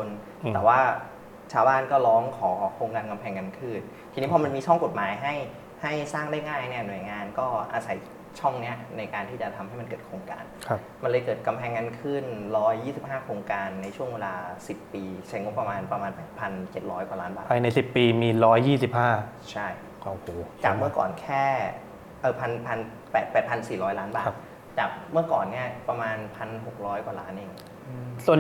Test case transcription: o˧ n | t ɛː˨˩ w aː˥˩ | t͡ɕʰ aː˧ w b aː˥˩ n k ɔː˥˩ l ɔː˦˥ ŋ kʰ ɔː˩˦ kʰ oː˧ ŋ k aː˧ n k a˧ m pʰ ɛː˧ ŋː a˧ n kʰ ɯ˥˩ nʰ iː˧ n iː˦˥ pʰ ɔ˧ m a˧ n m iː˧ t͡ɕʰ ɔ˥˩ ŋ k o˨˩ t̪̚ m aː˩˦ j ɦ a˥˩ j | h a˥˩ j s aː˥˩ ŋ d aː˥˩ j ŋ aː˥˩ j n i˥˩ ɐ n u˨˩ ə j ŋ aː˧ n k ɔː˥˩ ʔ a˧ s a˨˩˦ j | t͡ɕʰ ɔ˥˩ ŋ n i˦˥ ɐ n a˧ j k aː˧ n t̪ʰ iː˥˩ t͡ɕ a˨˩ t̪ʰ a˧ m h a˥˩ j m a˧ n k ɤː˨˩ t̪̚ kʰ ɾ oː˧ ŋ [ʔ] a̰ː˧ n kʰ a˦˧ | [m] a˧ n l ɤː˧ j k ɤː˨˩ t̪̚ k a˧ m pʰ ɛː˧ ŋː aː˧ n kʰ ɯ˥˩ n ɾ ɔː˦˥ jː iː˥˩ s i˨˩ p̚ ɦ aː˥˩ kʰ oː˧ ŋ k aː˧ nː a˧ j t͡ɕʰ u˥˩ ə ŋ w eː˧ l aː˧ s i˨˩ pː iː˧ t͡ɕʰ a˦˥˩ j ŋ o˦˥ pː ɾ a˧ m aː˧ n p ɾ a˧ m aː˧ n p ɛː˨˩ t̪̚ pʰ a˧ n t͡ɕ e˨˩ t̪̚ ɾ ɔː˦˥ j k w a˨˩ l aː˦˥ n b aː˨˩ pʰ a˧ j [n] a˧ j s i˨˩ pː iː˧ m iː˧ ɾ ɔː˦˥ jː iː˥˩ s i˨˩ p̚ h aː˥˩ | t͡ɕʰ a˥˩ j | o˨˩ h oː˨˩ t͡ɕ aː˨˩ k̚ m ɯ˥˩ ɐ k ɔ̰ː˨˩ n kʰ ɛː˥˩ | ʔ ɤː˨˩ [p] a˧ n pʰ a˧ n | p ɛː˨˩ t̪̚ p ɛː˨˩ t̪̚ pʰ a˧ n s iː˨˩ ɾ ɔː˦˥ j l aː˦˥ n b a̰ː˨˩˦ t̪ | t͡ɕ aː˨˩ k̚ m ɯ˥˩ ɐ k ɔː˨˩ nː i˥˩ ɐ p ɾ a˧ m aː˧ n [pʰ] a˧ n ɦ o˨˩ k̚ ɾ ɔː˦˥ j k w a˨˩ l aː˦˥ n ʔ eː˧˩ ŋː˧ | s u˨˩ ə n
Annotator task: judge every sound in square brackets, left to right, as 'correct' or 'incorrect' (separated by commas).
incorrect, correct, correct, incorrect, correct